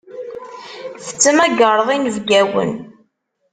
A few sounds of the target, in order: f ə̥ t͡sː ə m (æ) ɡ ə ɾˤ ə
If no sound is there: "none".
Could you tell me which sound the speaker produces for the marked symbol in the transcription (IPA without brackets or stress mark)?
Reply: æ